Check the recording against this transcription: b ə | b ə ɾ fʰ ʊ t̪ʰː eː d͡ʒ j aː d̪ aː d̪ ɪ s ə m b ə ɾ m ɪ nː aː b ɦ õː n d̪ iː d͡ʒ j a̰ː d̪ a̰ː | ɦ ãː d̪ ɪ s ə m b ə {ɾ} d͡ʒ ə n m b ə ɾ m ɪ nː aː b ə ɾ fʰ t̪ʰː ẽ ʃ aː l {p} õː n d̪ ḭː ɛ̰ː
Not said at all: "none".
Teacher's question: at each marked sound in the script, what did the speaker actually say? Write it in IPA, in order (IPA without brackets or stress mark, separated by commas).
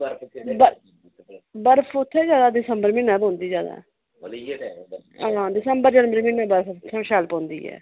ɾ, p